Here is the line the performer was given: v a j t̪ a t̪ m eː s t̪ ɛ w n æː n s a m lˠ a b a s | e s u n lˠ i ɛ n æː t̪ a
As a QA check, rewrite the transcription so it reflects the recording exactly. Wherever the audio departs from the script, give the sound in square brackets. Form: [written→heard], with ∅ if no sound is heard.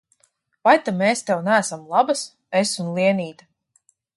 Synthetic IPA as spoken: v a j t̪ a [t̪→∅] m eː s t̪ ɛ w n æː [n→∅] s a m lˠ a b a s | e s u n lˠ i ɛ n [æː→iː] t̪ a